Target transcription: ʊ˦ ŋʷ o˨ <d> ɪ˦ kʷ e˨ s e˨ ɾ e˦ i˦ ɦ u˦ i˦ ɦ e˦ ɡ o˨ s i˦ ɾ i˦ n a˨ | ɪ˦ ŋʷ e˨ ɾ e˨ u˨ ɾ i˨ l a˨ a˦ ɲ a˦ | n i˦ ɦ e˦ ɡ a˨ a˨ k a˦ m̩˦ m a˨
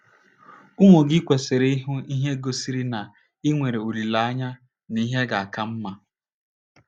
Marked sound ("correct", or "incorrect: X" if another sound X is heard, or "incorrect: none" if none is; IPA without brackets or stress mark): incorrect: ɡ